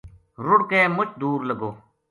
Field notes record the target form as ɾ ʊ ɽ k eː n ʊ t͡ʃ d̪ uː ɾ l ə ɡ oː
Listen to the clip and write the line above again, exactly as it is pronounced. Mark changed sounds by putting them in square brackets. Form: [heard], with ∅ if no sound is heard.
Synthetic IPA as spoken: ɾ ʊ ɽ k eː [m] ʊ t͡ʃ d̪ uː ɾ l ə ɡ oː